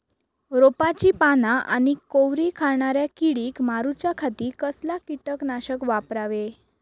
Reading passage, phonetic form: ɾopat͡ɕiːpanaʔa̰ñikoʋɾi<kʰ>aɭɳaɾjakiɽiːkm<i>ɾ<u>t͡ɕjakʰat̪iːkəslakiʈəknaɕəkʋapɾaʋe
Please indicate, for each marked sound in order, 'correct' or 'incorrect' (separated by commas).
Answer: correct, incorrect, correct